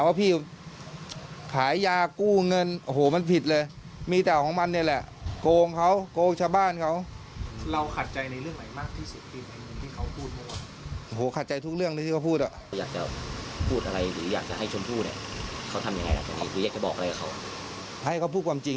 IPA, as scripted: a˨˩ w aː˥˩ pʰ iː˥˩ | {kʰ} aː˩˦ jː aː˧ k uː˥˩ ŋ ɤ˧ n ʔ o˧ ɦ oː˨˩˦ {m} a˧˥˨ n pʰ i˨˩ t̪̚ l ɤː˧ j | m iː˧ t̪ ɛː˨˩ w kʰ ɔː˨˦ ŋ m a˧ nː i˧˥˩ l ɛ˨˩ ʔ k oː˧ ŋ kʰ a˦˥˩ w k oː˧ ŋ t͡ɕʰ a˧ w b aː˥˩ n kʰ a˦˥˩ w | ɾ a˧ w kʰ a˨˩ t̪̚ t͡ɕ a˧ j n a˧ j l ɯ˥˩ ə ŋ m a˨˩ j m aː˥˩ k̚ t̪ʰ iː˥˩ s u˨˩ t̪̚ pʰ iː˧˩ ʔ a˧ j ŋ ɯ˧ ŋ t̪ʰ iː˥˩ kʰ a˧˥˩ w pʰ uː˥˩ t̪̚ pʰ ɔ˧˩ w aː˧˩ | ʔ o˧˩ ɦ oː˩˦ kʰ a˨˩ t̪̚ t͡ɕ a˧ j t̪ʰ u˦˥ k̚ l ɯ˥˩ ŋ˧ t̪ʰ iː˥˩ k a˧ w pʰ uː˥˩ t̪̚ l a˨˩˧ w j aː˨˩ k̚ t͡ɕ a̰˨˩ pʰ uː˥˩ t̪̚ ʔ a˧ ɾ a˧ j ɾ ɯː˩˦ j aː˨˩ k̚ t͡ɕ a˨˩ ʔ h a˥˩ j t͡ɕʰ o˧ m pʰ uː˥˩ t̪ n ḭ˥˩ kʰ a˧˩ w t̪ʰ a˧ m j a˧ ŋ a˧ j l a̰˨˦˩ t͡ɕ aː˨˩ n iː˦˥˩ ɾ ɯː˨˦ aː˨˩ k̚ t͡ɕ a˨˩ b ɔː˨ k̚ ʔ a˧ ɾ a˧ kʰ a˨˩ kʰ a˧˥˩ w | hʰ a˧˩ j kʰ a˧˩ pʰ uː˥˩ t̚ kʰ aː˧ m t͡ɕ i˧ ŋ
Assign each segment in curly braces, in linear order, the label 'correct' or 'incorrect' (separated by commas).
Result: correct, correct